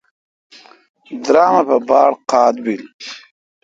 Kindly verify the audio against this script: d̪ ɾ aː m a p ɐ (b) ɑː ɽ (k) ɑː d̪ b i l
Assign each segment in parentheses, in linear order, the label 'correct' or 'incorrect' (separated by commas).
correct, incorrect